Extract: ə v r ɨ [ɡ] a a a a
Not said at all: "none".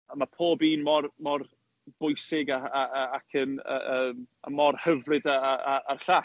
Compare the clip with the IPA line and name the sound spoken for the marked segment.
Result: d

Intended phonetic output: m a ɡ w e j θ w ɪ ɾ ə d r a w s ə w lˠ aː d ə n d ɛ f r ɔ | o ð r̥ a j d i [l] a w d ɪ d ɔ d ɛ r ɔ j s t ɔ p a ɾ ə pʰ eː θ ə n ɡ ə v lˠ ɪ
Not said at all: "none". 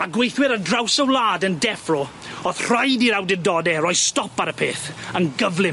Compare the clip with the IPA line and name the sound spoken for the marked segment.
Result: ɾ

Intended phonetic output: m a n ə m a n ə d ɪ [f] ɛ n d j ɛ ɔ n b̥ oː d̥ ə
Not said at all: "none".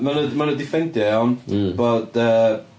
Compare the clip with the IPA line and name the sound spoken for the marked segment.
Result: f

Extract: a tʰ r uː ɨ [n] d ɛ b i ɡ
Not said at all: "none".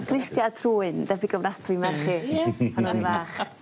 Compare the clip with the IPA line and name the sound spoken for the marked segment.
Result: n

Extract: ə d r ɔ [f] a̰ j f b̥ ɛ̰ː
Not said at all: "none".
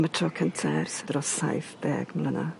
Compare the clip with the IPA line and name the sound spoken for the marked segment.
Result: s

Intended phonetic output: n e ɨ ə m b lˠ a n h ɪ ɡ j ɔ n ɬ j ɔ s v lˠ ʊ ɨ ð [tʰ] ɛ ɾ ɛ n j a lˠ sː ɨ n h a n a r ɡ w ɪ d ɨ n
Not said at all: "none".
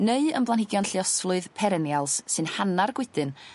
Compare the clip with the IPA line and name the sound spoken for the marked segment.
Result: pʰ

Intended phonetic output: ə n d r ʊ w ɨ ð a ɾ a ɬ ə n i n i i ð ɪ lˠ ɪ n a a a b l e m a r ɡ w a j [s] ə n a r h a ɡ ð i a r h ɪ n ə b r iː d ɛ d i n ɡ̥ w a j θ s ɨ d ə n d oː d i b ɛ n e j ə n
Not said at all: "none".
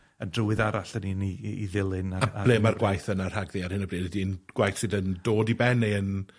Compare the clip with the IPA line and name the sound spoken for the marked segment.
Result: θ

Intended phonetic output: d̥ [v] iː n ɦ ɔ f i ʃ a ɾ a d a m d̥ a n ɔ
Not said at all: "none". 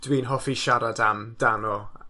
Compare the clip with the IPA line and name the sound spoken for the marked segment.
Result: w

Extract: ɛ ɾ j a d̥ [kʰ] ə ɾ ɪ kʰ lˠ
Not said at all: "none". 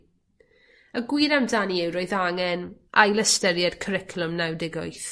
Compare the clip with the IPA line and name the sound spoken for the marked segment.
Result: kʰ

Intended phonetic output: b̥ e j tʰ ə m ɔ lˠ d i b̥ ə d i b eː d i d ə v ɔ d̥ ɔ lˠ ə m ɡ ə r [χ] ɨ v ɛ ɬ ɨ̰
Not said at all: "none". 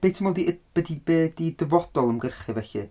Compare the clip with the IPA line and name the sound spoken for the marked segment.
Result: χ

